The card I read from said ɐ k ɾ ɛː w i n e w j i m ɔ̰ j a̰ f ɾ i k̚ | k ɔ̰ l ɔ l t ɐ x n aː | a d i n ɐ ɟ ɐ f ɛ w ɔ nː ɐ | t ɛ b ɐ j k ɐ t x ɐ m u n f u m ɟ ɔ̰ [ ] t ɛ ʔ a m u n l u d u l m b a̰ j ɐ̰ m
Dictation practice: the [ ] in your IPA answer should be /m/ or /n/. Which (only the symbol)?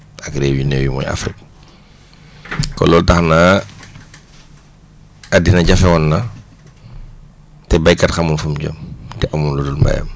m